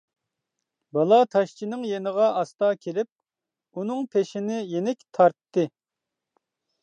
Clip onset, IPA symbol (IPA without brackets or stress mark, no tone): b